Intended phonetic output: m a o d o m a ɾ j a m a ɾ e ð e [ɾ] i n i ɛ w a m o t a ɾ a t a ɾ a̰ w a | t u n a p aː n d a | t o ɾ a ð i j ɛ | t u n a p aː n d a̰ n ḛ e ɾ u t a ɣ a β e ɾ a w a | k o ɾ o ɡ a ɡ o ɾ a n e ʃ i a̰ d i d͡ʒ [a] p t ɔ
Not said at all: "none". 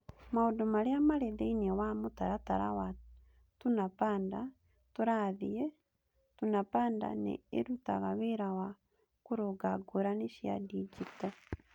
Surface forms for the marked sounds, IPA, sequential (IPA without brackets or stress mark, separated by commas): none, i